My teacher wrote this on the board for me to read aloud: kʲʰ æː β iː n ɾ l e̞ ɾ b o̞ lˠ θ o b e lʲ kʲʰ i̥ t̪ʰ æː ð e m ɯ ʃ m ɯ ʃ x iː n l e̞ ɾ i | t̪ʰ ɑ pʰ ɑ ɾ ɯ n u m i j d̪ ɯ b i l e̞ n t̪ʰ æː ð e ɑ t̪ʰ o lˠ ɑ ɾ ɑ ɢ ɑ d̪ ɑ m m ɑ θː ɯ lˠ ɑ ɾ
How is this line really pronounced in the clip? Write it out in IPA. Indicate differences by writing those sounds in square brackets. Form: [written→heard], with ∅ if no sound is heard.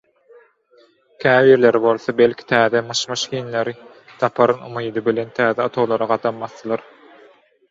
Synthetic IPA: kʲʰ æː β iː [n→∅] ɾ l e̞ ɾ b o̞ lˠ θ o b e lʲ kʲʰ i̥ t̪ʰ æː ð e m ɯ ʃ m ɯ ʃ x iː n l e̞ ɾ i | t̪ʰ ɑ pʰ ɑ ɾ ɯ n u m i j d̪ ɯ b i l e̞ n t̪ʰ æː ð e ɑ t̪ʰ o lˠ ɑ ɾ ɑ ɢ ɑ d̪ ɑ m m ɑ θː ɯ lˠ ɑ ɾ